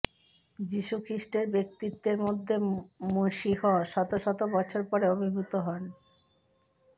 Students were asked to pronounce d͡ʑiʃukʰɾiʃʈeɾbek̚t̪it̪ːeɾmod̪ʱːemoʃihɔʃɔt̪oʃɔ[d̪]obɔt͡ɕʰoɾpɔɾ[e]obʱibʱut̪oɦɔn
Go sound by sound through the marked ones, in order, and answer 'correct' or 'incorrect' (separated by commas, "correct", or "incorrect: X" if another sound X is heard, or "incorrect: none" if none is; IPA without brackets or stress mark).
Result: incorrect: t̪, correct